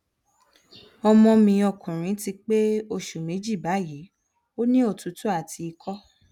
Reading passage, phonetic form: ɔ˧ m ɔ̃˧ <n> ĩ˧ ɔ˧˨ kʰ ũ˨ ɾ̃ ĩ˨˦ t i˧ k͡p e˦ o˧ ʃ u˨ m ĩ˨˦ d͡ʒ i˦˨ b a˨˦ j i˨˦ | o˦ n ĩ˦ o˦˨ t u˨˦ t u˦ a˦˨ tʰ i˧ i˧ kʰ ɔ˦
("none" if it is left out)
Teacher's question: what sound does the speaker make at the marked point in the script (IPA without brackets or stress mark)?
m